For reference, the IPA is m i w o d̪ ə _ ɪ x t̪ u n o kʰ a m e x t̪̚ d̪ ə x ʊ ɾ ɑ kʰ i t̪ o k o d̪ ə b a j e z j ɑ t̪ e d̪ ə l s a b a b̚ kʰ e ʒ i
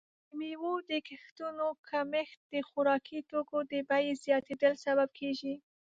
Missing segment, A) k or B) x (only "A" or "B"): A